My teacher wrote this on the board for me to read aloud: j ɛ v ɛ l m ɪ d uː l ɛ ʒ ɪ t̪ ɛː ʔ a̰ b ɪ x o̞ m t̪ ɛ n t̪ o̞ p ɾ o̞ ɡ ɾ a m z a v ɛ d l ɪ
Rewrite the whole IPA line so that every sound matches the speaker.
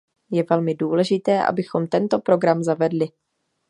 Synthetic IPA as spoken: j ɛ v ɛ l m ɪ d uː l ɛ ʒ ɪ t̪ ɛː ʔ a̰ b ɪ x o̞ m t̪ ɛ n t̪ o̞ p ɾ o̞ ɡ ɾ a m z a v ɛ d l ɪ